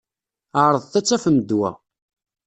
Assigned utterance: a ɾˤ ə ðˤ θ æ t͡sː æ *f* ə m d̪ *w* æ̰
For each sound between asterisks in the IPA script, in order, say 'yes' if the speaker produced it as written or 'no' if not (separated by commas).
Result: yes, yes